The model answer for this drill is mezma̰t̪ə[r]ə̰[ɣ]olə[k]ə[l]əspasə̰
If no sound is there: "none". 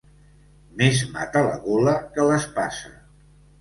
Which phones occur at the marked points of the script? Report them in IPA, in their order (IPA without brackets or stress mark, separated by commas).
l, ɣ, k, l